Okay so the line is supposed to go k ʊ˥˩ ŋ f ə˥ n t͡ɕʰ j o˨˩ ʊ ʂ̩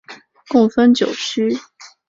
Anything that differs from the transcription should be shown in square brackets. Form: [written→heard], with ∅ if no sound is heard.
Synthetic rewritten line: k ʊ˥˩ ŋ f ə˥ n [t͡ɕʰ→t͡ɕ] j o˨˩ ʊ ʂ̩